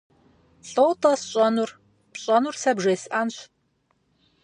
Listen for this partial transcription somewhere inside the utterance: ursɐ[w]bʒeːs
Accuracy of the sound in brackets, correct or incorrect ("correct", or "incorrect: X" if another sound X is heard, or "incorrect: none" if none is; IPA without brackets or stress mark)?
incorrect: none